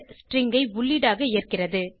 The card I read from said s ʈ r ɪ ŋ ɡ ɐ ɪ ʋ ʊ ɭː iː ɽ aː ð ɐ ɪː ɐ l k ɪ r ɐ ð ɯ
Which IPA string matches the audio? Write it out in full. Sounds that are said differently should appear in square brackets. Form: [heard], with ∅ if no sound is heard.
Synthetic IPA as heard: s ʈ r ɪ ŋ ɡ ɐ ɪ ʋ ʊ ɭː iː ɽ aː [ɣ] ɐ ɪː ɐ [r] k ɪ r ɐ ð ɯ